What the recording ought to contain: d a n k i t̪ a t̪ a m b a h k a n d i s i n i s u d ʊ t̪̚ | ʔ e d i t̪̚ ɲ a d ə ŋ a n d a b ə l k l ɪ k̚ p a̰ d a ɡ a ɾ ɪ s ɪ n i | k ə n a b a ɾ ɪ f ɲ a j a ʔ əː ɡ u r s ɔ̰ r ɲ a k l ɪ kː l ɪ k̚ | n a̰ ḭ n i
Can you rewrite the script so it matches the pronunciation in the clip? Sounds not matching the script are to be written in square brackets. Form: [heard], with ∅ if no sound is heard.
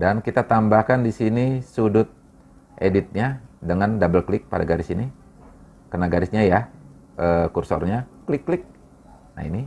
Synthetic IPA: d a n k i t̪ a t̪ a m b a h k a n d i s i n i s u d ʊ t̪̚ | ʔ e d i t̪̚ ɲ a d ə ŋ a n d a b ə l k l ɪ k̚ p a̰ d a ɡ a ɾ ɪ s [i] n i | k ə n a [ɡ] a ɾ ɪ [s] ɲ a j a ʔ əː [k] u r s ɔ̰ r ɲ a k l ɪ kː l ɪ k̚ | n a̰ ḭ n i